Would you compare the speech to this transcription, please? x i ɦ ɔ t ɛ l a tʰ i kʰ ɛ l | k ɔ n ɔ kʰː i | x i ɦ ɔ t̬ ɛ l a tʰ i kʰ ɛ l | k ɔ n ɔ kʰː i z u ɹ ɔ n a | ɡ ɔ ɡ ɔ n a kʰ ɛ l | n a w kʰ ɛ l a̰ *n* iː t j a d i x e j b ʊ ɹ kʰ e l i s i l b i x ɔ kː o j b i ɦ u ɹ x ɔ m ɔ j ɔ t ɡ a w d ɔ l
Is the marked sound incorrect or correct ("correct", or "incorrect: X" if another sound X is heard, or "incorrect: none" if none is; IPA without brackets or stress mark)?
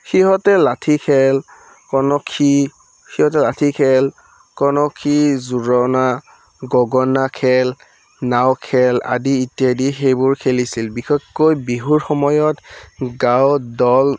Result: incorrect: d